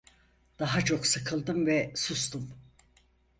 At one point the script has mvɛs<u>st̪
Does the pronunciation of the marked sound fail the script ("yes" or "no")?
no